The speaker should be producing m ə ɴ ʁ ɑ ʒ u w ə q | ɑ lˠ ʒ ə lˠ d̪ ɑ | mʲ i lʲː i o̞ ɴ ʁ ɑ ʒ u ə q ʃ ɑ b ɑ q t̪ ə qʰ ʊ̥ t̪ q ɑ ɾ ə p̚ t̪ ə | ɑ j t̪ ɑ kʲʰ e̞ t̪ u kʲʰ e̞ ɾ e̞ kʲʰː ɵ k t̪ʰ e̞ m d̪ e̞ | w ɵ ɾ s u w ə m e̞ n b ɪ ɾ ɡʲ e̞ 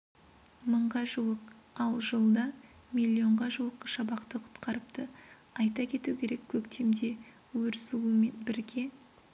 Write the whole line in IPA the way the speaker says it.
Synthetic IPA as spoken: m ə ɴ ʁ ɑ ʒ u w ə q | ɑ lˠ ʒ ə lˠ d̪ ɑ | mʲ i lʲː i o̞ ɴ ʁ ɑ ʒ u ə q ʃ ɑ b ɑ q t̪ ə qʰ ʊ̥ t̪ q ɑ ɾ ə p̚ t̪ ə | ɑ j t̪ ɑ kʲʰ e̞ t̪ u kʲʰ e̞ ɾ e̞ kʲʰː ɵ k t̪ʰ e̞ m d̪ e̞ | w ɵ ɾ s u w ə m e̞ n b ɪ ɾ ɡʲ e̞